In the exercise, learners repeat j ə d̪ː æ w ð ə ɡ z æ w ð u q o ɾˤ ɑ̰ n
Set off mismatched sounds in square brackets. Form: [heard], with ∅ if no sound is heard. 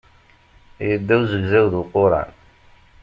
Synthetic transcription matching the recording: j ə d̪ː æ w [z] ə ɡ z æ w ð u q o ɾˤ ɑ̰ n